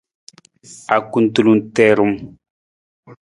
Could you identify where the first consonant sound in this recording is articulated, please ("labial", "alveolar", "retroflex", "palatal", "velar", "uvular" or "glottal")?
velar